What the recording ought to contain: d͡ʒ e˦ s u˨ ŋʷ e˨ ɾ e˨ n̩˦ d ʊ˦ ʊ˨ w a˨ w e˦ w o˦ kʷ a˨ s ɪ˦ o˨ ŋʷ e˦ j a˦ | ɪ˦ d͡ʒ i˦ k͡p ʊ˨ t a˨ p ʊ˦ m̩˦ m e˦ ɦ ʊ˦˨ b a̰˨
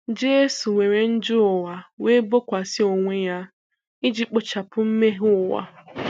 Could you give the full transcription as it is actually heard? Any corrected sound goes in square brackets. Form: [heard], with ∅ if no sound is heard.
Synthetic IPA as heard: d͡ʒ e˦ s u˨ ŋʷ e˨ ɾ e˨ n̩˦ [d͡ʒ] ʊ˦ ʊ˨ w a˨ w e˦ [b] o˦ kʷ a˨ s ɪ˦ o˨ ŋʷ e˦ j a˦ | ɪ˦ d͡ʒ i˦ k͡p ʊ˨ [t͡ʃ] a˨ p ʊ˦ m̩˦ m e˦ ɦ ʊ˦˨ [w] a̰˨